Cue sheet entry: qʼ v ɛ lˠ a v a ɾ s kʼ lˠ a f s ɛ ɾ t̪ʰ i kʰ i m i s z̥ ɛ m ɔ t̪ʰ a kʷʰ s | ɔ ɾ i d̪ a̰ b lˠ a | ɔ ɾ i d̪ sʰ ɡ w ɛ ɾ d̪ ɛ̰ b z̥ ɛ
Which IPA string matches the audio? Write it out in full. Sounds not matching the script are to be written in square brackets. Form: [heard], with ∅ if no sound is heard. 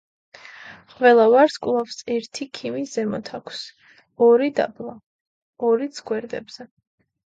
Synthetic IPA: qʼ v ɛ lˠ a v a ɾ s kʼ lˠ a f s ɛ ɾ t̪ʰ i kʰ i m i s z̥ ɛ m ɔ t̪ʰ a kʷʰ s | ɔ ɾ i d̪ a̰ b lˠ a | ɔ ɾ i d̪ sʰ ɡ w ɛ ɾ d̪ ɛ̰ b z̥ ɛ